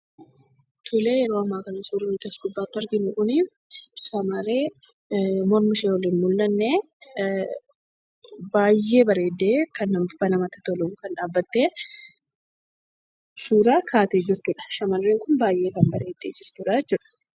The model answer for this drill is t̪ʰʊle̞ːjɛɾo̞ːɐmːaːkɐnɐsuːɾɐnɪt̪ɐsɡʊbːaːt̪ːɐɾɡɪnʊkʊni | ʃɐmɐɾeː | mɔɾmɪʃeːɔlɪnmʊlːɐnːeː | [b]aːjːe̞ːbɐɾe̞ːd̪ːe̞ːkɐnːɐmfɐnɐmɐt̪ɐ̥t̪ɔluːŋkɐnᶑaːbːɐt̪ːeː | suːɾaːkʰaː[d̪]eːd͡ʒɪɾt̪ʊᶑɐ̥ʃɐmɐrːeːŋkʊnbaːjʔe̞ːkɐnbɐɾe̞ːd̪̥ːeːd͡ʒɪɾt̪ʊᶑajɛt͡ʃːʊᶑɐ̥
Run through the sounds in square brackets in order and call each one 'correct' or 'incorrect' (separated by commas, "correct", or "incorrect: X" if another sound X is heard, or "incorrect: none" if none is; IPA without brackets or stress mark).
correct, incorrect: t̪